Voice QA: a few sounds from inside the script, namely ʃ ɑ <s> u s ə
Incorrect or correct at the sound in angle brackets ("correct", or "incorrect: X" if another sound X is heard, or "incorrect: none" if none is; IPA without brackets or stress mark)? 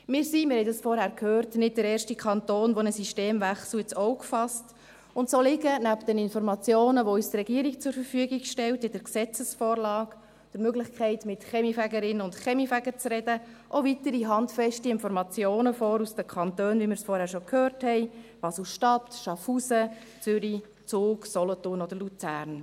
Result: incorrect: f